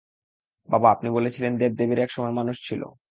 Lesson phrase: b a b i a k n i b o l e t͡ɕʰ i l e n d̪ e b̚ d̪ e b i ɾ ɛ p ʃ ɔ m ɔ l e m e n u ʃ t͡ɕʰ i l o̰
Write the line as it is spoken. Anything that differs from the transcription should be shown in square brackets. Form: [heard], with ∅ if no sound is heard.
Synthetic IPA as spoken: b a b [a] a [p] n i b o l e t͡ɕʰ i l e n d̪ e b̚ d̪ e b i ɾ ɛ [k] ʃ ɔ m ɔ [∅] e m [a] n u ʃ t͡ɕʰ i l o̰